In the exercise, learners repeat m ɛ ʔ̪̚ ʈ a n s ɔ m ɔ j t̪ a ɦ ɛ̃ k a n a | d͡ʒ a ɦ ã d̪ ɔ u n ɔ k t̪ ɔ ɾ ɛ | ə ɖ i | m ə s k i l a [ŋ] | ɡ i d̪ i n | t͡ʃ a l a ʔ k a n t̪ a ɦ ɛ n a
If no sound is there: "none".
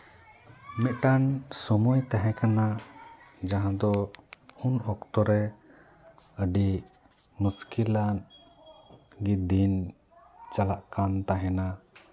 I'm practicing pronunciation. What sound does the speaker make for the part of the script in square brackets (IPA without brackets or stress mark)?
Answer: n